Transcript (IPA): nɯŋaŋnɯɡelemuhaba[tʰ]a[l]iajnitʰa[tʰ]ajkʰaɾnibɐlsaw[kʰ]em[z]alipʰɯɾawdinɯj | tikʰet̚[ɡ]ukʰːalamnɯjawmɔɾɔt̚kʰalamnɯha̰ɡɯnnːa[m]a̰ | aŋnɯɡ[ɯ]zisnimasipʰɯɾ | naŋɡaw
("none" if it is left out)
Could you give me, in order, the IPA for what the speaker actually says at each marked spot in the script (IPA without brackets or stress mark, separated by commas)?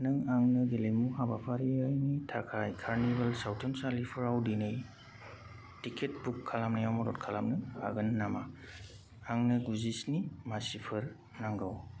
pʰ, ɾ, kʰ, tʰ, s, b, m, u